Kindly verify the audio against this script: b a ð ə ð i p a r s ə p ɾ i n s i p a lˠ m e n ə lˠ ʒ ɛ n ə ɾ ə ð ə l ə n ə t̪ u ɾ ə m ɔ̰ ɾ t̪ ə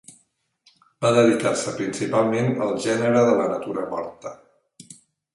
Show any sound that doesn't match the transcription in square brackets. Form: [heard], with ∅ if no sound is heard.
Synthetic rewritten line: b a ð ə ð i [k] a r s ə p ɾ i n s i p a lˠ m e n ə lˠ ʒ ɛ n ə ɾ ə ð ə l ə n ə t̪ u ɾ ə m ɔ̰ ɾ t̪ ə